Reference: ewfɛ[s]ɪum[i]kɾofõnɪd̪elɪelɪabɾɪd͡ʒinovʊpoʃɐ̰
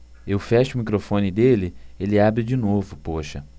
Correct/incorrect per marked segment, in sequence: incorrect: ʃ, correct

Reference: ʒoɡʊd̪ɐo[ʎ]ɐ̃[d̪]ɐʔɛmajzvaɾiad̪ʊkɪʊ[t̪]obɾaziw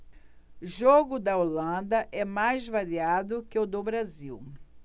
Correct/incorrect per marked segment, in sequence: incorrect: l, correct, incorrect: d̪

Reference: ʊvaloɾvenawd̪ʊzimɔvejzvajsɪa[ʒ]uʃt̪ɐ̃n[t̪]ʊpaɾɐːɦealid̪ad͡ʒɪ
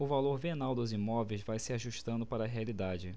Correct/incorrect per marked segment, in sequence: correct, incorrect: d̪

